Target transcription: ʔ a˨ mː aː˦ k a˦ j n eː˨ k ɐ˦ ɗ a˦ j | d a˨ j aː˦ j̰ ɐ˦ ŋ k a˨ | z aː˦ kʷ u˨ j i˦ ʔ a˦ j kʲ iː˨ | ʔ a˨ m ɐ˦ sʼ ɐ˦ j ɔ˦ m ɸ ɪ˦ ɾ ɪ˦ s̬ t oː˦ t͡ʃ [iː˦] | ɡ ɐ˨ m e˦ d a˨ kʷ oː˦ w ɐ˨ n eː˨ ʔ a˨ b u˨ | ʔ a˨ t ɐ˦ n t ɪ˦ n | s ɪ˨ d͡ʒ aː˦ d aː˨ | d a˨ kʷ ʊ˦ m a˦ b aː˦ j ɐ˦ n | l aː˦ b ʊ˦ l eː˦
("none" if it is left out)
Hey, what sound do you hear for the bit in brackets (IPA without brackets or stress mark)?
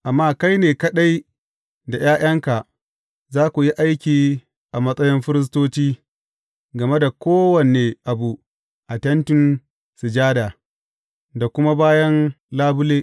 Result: iː˦